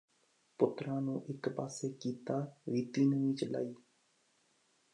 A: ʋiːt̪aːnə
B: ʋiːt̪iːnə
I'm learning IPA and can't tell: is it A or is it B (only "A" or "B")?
B